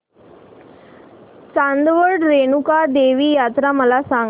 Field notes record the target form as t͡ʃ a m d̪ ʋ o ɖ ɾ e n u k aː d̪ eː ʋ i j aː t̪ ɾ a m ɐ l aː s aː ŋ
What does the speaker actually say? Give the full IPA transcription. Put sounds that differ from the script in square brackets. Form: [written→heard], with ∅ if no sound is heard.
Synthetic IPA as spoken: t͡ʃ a [m→n] d̪ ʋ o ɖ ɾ e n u k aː d̪ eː ʋ i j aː t̪ ɾ a m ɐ l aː s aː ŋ